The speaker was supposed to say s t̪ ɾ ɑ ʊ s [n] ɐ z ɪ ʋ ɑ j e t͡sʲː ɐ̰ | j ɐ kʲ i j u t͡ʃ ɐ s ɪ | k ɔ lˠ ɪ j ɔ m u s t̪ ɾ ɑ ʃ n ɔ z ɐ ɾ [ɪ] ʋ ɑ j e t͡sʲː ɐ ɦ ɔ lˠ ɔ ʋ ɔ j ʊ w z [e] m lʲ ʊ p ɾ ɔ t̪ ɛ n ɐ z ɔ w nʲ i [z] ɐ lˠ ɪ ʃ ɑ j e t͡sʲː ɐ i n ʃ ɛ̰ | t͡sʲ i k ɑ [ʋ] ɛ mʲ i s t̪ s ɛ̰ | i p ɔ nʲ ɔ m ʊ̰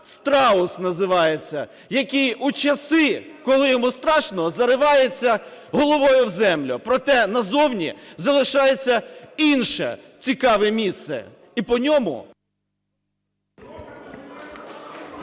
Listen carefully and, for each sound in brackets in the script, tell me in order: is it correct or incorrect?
correct, correct, incorrect: ɛ, correct, correct

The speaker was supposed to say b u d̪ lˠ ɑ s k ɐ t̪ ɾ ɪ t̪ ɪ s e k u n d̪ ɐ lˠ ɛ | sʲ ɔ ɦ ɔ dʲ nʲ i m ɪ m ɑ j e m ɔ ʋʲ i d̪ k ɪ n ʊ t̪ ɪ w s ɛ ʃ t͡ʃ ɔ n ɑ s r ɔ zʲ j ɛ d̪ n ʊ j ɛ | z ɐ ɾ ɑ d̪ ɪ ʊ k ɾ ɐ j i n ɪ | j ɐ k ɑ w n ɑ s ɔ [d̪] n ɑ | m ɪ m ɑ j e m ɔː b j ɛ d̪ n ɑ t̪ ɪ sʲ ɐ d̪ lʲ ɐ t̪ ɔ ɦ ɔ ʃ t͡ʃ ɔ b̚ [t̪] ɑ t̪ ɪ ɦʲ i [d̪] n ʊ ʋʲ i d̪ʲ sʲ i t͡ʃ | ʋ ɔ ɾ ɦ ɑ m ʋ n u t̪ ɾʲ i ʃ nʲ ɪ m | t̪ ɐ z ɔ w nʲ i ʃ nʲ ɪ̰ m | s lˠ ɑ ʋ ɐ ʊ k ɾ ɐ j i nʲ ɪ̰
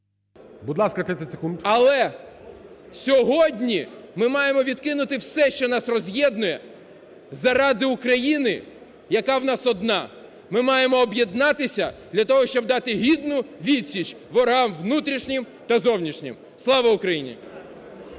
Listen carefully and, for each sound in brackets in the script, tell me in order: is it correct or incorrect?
correct, incorrect: d̪, correct

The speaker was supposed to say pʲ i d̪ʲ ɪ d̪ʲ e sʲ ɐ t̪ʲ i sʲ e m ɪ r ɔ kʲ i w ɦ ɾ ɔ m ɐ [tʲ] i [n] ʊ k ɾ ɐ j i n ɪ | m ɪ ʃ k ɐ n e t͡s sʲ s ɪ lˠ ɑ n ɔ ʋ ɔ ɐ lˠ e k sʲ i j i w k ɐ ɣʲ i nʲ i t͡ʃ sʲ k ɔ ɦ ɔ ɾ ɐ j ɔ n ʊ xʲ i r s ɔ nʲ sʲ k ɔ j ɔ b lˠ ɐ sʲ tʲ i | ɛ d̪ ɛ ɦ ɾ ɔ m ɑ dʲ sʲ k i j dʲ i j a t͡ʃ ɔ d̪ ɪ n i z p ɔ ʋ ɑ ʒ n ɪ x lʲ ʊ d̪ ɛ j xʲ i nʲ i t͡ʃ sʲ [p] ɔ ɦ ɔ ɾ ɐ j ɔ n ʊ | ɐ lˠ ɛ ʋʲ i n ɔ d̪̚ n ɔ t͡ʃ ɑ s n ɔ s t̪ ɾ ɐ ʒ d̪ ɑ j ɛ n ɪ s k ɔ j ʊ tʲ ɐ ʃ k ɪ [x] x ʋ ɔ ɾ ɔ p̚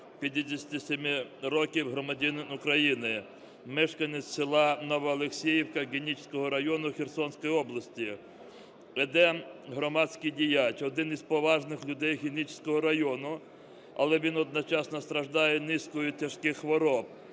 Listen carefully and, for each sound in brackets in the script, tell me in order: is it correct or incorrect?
incorrect: dʲ, correct, incorrect: k, correct

